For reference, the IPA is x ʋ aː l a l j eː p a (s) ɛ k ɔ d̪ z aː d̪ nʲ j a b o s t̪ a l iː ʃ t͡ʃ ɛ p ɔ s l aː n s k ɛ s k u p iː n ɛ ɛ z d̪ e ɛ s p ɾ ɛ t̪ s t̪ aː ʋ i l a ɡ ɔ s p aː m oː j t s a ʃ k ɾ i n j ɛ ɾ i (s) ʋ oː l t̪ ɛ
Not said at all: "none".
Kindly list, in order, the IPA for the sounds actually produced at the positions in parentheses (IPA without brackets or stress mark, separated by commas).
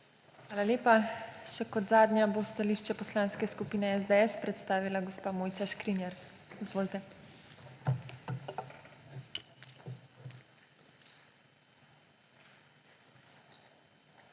ʃ, z